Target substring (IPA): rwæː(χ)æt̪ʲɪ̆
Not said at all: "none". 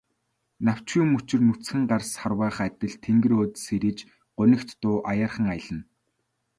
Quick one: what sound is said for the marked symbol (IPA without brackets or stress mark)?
χ